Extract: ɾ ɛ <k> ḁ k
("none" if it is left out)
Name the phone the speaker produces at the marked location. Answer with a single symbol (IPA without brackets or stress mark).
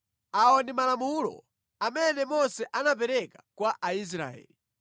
k